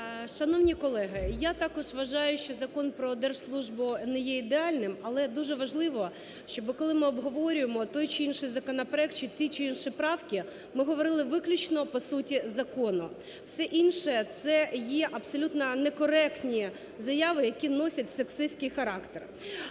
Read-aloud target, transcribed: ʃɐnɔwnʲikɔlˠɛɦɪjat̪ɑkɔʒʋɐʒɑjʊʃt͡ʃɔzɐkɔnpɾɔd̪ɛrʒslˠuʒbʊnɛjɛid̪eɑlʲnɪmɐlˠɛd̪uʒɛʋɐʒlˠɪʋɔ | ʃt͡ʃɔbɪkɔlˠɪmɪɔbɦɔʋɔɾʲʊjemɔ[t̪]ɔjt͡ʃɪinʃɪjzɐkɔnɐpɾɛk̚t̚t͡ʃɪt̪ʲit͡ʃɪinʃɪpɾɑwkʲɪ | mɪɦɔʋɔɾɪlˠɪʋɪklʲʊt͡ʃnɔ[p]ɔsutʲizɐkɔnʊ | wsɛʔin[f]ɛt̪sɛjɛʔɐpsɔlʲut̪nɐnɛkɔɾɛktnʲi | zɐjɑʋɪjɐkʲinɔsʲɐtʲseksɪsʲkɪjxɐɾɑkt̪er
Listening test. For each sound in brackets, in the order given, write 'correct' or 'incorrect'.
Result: correct, correct, incorrect: ʃ

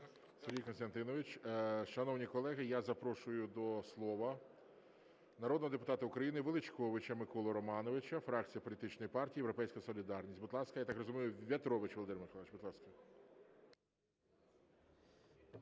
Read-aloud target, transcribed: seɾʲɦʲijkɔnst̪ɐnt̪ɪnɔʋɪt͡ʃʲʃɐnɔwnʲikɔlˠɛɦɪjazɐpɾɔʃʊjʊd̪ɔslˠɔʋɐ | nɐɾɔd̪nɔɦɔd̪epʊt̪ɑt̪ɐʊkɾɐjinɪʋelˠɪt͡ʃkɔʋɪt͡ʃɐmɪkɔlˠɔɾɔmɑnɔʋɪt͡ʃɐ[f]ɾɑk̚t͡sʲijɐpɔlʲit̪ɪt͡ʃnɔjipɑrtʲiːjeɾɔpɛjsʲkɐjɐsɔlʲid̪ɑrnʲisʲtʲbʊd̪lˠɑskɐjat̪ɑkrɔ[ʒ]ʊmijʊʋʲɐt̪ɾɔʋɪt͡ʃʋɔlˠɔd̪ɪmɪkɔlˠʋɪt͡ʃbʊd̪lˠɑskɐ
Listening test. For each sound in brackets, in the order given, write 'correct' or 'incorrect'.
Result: correct, incorrect: z

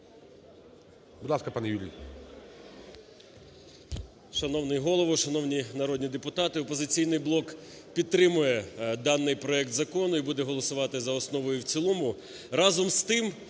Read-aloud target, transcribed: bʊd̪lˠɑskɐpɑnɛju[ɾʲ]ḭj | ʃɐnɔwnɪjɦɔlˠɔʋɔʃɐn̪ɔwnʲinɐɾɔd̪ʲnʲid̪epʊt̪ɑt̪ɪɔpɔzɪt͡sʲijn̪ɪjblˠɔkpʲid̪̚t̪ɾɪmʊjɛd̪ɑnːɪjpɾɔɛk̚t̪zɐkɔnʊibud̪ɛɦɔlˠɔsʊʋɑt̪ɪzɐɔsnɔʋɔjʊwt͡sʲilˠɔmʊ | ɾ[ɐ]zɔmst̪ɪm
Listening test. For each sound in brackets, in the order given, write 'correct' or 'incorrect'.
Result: incorrect: lʲ, incorrect: ɑ

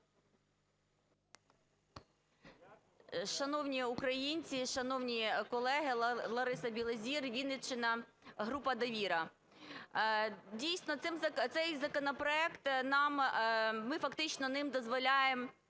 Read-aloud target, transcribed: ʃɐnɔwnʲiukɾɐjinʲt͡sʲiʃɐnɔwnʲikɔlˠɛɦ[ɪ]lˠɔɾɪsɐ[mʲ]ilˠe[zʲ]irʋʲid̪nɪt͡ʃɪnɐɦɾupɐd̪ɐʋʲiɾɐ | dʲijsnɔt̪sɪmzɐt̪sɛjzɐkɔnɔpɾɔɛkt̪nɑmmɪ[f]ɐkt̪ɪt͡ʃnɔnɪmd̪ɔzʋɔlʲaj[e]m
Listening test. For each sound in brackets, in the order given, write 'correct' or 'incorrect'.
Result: correct, incorrect: bʲ, correct, correct, correct

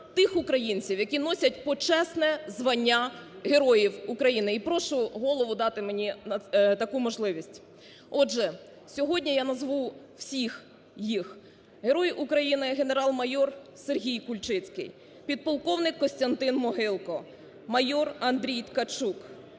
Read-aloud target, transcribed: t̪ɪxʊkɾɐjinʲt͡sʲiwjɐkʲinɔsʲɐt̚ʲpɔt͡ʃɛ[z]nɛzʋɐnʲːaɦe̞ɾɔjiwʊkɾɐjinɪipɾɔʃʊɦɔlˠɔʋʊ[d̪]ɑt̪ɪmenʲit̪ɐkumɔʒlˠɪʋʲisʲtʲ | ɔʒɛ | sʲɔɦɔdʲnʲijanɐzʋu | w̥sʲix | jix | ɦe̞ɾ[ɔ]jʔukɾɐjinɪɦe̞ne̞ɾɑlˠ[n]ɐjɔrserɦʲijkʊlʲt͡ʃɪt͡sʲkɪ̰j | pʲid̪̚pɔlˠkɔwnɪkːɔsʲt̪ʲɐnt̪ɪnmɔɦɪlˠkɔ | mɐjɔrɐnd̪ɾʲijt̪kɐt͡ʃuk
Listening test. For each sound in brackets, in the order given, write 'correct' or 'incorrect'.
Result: incorrect: s, correct, correct, incorrect: m

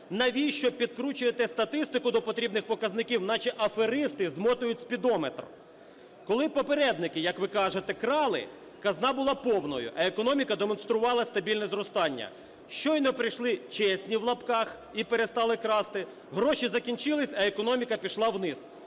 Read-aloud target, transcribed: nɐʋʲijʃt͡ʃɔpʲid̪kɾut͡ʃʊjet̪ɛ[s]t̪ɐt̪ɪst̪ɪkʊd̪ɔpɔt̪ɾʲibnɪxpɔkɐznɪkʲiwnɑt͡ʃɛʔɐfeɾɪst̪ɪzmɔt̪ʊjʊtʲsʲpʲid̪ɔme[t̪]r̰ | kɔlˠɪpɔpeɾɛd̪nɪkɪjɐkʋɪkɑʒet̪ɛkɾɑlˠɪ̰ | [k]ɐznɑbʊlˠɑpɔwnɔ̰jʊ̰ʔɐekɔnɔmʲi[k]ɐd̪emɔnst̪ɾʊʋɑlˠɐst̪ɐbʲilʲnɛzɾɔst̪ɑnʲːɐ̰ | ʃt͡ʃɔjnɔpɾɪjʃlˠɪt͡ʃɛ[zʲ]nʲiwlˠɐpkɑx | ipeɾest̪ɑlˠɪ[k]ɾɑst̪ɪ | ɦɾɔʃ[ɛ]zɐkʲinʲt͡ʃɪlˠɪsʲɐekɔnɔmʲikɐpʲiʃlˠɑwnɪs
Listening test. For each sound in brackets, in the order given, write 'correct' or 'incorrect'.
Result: correct, correct, correct, correct, incorrect: sʲ, correct, incorrect: i

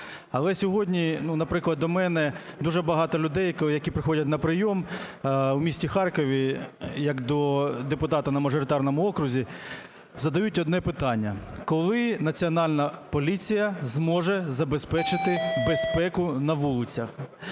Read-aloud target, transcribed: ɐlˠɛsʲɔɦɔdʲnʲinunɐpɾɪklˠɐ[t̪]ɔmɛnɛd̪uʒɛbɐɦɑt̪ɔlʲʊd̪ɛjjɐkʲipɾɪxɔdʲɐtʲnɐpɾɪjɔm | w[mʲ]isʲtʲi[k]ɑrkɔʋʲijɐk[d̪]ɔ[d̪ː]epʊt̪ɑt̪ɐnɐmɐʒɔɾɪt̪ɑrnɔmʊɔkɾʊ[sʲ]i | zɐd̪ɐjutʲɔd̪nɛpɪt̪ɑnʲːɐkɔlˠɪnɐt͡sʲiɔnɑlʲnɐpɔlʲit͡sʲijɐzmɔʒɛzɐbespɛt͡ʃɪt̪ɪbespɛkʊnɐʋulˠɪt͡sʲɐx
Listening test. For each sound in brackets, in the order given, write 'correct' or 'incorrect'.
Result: incorrect: d̪, correct, incorrect: x, correct, incorrect: d̪, incorrect: zʲ

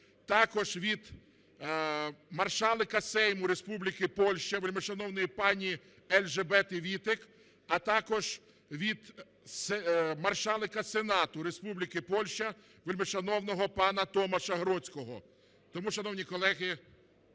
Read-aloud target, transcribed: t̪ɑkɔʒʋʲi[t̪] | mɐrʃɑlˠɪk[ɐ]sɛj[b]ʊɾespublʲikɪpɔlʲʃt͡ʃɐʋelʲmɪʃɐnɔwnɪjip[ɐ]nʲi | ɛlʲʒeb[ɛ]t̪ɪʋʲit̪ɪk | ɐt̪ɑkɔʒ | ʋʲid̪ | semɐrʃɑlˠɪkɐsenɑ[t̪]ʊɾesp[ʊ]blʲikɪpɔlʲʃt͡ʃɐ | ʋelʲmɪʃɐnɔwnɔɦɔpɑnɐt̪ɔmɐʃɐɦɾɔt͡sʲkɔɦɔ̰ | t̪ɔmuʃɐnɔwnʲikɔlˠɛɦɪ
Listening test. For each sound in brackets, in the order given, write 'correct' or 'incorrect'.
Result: incorrect: d̪, correct, incorrect: m, incorrect: ɑ, correct, correct, incorrect: u

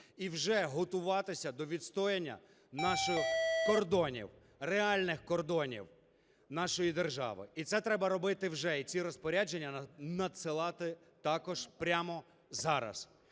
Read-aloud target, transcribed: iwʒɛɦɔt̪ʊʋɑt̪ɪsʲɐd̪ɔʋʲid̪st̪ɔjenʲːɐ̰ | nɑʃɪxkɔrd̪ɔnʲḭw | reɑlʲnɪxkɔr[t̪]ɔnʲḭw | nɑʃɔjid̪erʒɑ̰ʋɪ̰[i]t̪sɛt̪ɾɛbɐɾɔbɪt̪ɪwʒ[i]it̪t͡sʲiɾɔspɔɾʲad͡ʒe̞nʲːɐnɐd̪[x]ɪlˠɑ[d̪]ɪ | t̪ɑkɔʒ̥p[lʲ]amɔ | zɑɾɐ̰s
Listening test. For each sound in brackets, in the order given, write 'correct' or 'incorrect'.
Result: incorrect: d̪, correct, incorrect: ɛ, incorrect: s, incorrect: t̪, incorrect: ɾʲ

